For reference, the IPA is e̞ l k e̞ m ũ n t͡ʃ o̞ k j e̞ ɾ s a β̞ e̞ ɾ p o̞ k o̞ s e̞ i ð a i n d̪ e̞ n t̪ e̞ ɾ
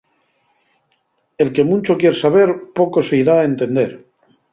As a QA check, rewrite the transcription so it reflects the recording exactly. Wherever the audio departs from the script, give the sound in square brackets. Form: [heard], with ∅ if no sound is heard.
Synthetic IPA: e̞ l k e̞ m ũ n t͡ʃ o̞ k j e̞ ɾ s a β̞ e̞ ɾ p o̞ k o̞ s e̞ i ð a [e] n [t̪] e̞ n [d̪] e̞ ɾ